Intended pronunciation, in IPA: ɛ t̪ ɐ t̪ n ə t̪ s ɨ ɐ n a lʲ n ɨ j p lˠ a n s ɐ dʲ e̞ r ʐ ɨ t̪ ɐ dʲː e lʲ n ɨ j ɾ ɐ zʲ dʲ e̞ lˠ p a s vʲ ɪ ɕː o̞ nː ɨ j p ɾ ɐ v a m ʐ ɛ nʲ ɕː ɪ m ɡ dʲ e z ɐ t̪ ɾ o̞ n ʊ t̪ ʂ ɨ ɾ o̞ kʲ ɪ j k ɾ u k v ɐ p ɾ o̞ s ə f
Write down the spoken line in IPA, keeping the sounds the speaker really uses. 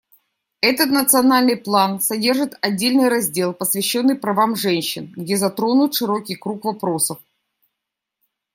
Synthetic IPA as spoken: ɛ t̪ ə t̪ n ə t̪ s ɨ ɐ n a lʲ n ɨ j p lˠ a n s ɐ dʲ e̞ r ʐ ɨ t̪ ɐ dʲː e lʲ n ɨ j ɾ ɐ zʲ dʲ e̞ lˠ p ə s vʲ ɪ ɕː o̞ nː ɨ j p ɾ ɐ v a m ʐ ɛ nʲ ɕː ɪ n ɡ dʲ e z ɐ t̪ ɾ o̞ n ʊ t̪ ʂ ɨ ɾ o̞ kʲ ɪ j k ɾ u k v ɐ p ɾ o̞ s ə f

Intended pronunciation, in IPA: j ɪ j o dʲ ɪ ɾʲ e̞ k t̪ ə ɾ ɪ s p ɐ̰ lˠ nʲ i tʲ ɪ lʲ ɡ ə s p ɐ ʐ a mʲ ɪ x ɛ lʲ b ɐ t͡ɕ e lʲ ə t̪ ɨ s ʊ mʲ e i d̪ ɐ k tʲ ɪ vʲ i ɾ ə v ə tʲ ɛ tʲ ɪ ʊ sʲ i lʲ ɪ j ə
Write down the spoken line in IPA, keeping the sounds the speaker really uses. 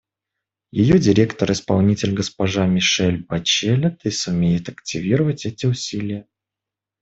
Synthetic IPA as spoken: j ɪ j o dʲ ɪ ɾʲ e̞ k t̪ ə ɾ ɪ s p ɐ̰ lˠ nʲ i tʲ ɪ lʲ ɡ ə s p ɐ ʐ a mʲ ɪ ʂ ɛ lʲ b ɐ t͡ɕ e lʲ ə t̪ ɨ s ʊ mʲ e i t̪ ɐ k tʲ ɪ vʲ i ɾ ə v ə tʲ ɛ tʲ ɪ ʊ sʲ i lʲ ɪ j ə

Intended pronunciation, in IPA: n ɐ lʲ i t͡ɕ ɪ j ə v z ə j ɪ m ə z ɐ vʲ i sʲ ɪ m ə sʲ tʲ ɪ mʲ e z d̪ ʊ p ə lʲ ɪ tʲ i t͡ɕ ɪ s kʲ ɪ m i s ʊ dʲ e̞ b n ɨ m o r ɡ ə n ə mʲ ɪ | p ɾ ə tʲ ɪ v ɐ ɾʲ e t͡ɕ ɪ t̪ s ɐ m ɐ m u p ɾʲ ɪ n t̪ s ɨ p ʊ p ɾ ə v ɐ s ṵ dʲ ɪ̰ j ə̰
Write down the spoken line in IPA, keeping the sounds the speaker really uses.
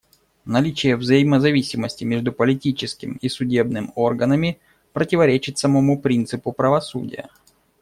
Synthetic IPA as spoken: n ɐ lʲ i t͡ɕ ɪ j ə v z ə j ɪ m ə z ɐ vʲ i sʲ ɪ m ə sʲ tʲ ɪ mʲ e ʐ d̪ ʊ p ə lʲ ɪ tʲ i t͡ɕ ɪ s kʲ ɪ m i s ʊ dʲ e̞ b n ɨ m o r ɡ ə n ə mʲ ɪ | p ɾ ə tʲ ɪ v ɐ ɾʲ e t͡ɕ ɪ t̪ s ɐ m ɐ m u p ɾʲ i n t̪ s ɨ p ʊ p ɾ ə v ɐ s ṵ dʲ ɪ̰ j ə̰

